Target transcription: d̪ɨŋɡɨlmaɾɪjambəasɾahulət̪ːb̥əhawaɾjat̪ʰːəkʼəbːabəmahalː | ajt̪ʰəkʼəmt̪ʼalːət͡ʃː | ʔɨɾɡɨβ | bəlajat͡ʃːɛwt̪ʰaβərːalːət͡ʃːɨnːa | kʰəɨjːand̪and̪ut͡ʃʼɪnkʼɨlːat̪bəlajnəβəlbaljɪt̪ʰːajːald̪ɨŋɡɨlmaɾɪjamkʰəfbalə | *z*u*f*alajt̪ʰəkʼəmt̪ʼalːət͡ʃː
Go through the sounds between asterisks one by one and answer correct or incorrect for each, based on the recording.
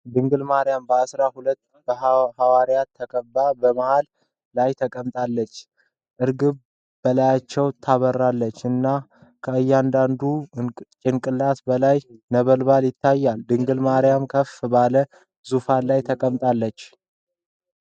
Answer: correct, correct

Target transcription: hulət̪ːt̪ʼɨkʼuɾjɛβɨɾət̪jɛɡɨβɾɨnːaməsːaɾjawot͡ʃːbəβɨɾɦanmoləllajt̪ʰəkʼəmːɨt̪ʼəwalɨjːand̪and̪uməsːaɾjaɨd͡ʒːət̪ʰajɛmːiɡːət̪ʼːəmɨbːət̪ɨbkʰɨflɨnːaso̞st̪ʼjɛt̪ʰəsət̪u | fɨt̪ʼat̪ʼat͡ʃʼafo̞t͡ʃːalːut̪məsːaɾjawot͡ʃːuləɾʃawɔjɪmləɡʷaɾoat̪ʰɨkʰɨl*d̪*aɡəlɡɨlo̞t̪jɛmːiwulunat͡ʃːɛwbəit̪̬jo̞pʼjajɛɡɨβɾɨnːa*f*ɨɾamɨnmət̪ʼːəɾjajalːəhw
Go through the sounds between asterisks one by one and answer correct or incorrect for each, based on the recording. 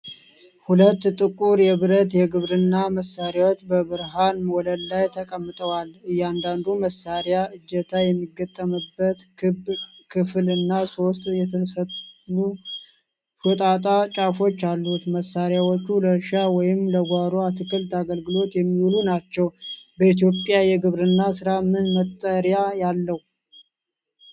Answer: incorrect: t̪, incorrect: s

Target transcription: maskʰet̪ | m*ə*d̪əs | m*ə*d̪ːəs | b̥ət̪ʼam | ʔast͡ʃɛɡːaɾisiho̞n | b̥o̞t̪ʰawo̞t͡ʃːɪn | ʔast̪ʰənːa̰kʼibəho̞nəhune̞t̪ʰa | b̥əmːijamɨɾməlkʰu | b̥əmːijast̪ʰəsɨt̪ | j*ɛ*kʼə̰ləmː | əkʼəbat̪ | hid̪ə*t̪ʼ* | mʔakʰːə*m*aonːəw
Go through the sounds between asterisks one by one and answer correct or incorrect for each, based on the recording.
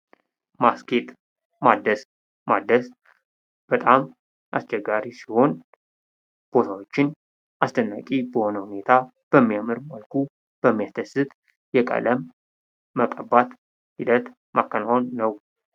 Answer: incorrect: a, incorrect: a, correct, incorrect: t̪, incorrect: n

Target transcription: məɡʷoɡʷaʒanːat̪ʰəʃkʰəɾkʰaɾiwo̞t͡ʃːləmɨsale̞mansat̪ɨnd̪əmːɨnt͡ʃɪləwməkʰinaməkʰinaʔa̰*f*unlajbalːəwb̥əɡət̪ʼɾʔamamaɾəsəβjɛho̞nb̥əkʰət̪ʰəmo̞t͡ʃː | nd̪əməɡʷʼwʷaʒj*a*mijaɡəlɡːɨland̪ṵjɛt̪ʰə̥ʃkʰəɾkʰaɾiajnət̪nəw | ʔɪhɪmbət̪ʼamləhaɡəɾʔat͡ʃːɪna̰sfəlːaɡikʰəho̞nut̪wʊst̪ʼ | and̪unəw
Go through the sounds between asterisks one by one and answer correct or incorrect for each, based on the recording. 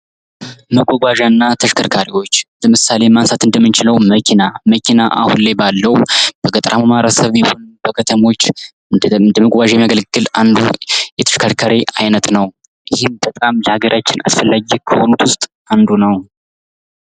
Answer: incorrect: h, incorrect: ɛ

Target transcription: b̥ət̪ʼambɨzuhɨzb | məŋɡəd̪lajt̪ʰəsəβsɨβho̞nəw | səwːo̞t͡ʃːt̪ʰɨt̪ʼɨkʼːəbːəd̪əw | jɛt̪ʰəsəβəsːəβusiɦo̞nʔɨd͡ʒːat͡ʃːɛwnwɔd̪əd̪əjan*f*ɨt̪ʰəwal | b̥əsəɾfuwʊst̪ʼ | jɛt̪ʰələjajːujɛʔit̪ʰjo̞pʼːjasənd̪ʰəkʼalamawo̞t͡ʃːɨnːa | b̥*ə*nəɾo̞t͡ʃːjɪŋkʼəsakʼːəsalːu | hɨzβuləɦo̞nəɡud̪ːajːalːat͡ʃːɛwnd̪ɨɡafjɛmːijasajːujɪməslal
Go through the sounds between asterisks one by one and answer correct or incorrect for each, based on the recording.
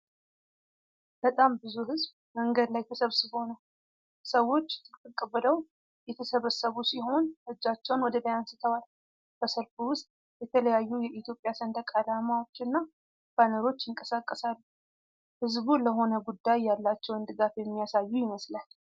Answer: incorrect: s, incorrect: a

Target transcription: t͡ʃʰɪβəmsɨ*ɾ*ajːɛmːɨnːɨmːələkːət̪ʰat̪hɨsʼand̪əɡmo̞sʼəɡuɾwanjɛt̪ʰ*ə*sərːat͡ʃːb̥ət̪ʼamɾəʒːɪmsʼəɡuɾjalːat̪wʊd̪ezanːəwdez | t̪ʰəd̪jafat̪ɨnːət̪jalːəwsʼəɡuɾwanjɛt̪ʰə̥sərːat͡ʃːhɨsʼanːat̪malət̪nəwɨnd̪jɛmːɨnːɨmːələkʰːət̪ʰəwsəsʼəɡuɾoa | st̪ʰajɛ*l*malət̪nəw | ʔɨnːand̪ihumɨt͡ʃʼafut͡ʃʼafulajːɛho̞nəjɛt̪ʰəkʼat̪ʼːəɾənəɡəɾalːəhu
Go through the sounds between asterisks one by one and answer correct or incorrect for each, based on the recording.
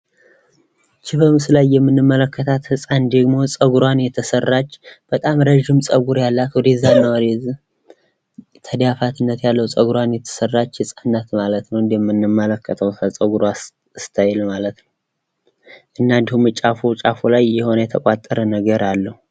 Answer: incorrect: l, correct, correct

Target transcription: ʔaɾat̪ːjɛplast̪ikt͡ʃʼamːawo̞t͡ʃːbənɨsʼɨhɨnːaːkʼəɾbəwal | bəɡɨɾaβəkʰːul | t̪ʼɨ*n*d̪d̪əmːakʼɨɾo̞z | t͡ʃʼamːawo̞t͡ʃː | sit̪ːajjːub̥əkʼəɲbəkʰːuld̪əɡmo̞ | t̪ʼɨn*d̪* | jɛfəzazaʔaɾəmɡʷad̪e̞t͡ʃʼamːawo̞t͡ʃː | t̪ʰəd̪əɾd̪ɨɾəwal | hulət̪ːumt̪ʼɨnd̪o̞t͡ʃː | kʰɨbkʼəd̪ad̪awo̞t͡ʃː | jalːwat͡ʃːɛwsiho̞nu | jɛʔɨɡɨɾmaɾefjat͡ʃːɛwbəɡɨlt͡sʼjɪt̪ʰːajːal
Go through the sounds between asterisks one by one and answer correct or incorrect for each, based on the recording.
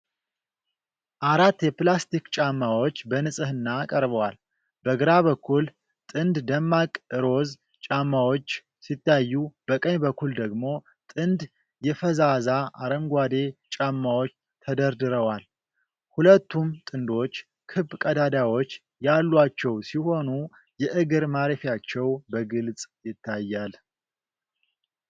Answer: correct, correct

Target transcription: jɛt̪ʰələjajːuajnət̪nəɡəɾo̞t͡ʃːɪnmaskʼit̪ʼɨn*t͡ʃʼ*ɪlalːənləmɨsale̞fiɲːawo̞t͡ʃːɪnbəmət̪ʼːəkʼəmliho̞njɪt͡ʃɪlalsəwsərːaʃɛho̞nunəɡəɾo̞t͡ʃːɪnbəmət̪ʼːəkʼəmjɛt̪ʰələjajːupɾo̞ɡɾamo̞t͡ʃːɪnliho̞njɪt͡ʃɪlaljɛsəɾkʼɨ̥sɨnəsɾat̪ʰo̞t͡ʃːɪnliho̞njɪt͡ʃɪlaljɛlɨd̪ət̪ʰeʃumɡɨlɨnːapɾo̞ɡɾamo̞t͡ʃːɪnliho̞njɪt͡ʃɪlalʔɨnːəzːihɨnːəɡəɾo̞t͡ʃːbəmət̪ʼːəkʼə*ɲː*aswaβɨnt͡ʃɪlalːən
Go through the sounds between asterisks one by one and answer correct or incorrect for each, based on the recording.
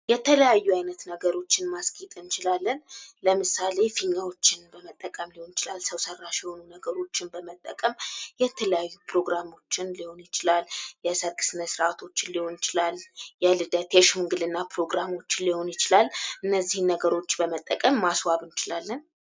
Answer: incorrect: t͡ʃ, incorrect: mː

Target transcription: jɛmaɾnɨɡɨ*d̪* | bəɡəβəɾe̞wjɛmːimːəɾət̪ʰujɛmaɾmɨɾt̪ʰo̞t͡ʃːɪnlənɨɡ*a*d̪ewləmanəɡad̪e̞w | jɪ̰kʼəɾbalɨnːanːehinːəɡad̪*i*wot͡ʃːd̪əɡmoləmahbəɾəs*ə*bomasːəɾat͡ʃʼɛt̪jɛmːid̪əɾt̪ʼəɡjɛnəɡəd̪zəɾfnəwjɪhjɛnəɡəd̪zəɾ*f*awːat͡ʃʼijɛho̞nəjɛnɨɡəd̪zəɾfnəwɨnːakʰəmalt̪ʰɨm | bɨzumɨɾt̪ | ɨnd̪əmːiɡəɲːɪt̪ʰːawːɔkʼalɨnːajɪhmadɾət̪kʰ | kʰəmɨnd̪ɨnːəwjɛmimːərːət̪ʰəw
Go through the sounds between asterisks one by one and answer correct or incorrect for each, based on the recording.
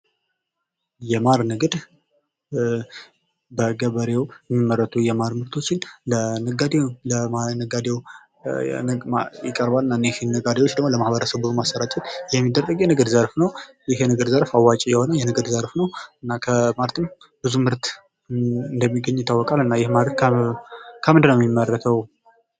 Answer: correct, correct, incorrect: e, correct, correct

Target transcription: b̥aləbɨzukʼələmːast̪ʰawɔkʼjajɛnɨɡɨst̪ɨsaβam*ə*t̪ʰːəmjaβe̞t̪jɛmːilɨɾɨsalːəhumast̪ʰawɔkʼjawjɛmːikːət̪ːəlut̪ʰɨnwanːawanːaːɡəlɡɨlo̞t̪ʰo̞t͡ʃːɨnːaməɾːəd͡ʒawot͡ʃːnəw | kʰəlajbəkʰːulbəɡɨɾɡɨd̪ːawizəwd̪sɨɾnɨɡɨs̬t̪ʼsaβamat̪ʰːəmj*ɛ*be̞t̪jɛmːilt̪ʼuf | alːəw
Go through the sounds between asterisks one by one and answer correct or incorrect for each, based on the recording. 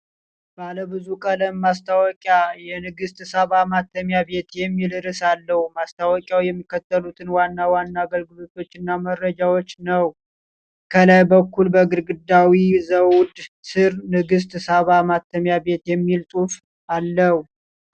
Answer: incorrect: a, incorrect: a

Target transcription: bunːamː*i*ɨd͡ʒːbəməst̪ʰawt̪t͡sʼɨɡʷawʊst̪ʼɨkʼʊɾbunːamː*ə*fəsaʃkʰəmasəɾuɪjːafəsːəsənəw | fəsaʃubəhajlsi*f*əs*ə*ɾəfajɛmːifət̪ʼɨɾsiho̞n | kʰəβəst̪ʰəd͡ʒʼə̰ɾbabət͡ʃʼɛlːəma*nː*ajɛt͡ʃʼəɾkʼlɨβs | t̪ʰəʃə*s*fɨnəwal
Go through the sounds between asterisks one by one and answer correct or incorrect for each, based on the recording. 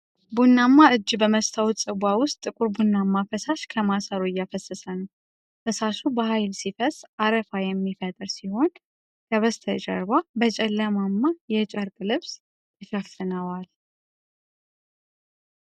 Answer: incorrect: a, incorrect: a, correct, incorrect: a, incorrect: mː, incorrect: f

